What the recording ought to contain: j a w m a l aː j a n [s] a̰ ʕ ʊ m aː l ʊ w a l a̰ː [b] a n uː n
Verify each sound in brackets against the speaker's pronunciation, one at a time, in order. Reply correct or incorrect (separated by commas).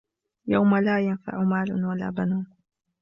incorrect, correct